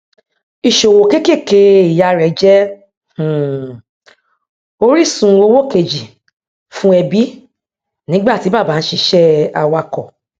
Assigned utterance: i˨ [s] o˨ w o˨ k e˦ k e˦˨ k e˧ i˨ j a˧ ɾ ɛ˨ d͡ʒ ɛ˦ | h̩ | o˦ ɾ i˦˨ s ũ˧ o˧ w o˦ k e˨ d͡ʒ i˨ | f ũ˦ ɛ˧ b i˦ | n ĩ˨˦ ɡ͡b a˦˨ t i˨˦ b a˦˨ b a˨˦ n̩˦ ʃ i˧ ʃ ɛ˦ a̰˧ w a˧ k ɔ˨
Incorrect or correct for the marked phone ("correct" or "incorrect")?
incorrect